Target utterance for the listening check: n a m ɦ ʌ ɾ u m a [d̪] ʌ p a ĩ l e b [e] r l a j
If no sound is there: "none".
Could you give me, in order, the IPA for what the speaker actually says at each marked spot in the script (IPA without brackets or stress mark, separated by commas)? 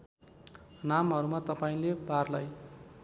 t̪, a